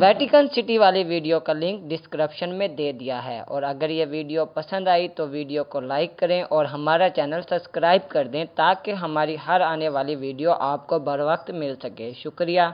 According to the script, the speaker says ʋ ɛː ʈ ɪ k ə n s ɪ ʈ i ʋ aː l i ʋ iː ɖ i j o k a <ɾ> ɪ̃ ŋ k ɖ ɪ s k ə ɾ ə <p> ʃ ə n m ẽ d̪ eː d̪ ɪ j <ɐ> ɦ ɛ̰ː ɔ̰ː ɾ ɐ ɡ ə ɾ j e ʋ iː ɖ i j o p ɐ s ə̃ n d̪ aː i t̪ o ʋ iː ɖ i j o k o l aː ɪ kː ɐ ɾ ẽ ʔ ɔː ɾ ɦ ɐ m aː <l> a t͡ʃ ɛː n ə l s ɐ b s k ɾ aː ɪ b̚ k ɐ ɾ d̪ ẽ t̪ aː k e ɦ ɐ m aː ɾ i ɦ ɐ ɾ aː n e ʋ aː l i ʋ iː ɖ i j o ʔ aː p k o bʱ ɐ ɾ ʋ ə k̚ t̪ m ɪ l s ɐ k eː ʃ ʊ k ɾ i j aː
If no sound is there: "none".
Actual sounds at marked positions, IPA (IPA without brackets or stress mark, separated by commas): l, p, a, ɾ